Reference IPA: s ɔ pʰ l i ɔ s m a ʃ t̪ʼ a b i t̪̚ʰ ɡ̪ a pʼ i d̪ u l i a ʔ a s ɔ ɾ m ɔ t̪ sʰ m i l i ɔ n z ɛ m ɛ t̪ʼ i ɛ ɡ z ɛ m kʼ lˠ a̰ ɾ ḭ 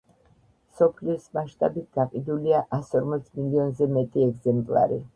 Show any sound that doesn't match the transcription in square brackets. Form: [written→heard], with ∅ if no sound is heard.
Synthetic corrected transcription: s ɔ pʰ l i ɔ s m a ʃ t̪ʼ a b i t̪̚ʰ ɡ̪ a [pʼ→qʼ] i d̪ u l i a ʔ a s ɔ ɾ m ɔ t̪ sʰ m i l i ɔ n z ɛ m ɛ t̪ʼ i ɛ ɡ z ɛ m [kʼ→pʼ] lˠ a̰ ɾ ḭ